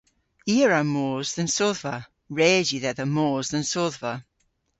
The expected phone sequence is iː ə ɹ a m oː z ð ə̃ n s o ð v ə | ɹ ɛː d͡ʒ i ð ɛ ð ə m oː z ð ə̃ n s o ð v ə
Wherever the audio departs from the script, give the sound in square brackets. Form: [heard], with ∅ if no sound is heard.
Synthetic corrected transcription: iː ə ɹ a m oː z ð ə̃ n s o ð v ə | ɹ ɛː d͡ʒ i ð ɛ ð ə m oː z ð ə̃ n s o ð v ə